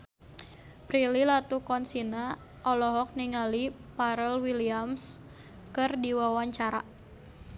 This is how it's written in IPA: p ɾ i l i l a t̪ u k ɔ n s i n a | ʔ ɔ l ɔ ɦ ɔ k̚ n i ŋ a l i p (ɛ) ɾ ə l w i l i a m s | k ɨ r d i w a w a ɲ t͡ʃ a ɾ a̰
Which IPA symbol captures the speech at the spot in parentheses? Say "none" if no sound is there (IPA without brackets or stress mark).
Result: a